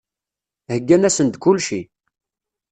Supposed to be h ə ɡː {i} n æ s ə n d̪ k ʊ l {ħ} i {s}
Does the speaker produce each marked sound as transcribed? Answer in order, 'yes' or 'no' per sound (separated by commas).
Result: no, no, no